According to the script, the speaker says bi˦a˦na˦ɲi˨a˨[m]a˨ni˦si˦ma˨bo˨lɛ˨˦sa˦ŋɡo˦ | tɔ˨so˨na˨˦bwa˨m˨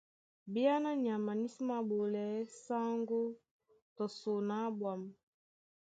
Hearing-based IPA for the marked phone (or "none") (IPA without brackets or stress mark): m